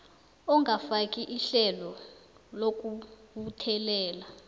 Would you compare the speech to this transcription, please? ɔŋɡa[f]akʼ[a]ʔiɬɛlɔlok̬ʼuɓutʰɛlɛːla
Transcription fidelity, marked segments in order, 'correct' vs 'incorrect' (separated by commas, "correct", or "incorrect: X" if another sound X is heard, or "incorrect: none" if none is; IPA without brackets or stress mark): correct, incorrect: i